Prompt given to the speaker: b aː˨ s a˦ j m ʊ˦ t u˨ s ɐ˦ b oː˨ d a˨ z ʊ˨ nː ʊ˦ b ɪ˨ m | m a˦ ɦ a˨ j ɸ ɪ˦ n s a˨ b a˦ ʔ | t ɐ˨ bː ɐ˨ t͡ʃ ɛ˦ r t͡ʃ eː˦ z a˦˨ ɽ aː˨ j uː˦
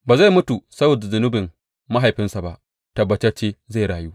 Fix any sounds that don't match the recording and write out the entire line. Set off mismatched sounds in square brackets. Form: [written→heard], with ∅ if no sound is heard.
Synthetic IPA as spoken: b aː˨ [s→z] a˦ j m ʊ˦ t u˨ s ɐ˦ b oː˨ d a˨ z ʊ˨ [nː→n] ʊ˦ b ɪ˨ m | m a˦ ɦ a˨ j ɸ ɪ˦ n s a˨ b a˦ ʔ | t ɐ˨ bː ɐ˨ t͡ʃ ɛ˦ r t͡ʃ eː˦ z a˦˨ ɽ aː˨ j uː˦

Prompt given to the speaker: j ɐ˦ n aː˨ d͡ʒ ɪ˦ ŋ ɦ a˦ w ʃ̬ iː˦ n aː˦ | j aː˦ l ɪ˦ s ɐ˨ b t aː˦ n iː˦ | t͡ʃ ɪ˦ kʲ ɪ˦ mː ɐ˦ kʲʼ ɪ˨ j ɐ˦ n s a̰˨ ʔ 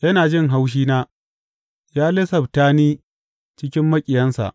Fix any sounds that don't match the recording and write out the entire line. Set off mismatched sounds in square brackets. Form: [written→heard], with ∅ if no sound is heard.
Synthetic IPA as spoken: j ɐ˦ n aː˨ d͡ʒ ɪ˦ ŋ ɦ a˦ w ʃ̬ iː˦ n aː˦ | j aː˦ l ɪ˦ s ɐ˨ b t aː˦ n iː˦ | t͡ʃ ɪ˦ kʲ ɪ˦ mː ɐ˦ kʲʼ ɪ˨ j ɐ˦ n s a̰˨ ʔ

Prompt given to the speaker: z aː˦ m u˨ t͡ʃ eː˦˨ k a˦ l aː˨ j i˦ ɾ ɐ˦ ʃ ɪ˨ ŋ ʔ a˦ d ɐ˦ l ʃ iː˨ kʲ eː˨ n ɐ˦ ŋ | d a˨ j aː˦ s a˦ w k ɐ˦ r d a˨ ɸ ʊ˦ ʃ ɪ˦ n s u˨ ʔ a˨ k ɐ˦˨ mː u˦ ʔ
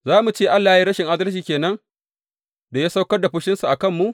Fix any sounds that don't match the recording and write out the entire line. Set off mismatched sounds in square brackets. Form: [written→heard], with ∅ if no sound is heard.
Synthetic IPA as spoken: z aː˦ m u˨ t͡ʃ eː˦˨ [k→ʔ] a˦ [l→lː] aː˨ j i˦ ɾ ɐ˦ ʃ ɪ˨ ŋ ʔ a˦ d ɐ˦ l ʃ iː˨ kʲ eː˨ n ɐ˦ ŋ | d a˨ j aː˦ s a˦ w k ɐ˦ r d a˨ ɸ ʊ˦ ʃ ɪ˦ n s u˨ ʔ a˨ k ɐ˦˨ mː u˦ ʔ

